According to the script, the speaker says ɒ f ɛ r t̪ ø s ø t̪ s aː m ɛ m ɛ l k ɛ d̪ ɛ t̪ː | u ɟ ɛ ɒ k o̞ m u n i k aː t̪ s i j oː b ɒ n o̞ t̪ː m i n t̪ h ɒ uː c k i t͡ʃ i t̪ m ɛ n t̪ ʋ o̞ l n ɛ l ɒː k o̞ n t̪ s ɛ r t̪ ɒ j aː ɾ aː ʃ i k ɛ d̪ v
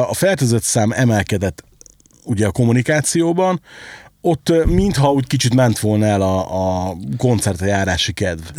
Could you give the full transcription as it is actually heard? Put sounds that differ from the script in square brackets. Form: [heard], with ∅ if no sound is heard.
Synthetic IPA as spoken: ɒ f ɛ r t̪ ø [z] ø t̪ s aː m ɛ m ɛ l k ɛ d̪ ɛ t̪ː | u ɟ ɛ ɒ k o̞ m u n i k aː t̪ s i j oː b ɒ n o̞ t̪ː m i n t̪ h ɒ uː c k i t͡ʃ i t̪ m ɛ n t̪ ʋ o̞ l n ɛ l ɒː k o̞ n t̪ s ɛ r t̪ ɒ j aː ɾ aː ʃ i k ɛ d̪ v